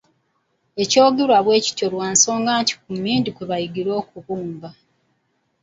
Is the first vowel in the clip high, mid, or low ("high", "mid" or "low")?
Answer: mid